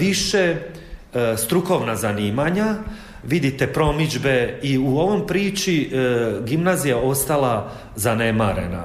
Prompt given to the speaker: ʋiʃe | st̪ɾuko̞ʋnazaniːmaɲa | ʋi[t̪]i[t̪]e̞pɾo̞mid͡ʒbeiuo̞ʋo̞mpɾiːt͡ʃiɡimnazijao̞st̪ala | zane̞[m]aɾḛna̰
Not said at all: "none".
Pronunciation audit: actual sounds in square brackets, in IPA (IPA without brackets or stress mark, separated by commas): d̪, t̪, m